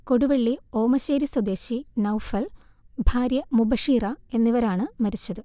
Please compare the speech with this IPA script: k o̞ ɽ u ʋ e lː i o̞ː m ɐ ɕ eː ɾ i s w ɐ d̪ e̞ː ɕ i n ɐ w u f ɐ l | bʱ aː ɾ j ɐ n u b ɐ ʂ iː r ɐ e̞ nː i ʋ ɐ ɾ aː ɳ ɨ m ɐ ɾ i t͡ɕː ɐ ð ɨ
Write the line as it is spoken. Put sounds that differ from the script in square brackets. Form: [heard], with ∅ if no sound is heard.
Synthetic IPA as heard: k o̞ ɽ u ʋ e [ɭː] i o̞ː m ɐ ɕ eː ɾ i s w ɐ d̪ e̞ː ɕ i n ɐ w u f ɐ l | bʱ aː ɾ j ɐ [m] u b ɐ ʂ iː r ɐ e̞ nː i ʋ ɐ ɾ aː ɳ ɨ m ɐ ɾ i t͡ɕː ɐ ð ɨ